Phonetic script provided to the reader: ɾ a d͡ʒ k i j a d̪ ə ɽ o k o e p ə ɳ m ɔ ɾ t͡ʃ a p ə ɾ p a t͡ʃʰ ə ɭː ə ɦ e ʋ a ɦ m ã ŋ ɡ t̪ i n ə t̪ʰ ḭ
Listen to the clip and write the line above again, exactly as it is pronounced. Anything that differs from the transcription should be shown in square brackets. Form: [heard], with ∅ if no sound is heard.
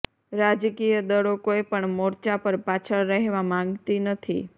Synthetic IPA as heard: ɾ a d͡ʒ k i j [ə] d̪ ə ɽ o k o e p ə ɳ m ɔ ɾ t͡ʃ a p ə ɾ p a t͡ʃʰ ə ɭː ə ɦ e ʋ a [∅] m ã ŋ ɡ t̪ i n ə t̪ʰ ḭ